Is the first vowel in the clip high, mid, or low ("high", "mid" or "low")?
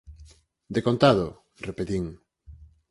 mid